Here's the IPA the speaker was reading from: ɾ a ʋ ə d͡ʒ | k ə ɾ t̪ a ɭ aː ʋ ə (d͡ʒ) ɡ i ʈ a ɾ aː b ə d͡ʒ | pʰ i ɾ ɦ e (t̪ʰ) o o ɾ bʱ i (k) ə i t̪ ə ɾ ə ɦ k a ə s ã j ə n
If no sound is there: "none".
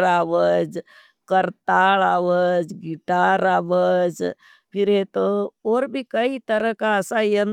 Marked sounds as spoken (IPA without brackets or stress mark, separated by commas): d͡ʒ, t̪, k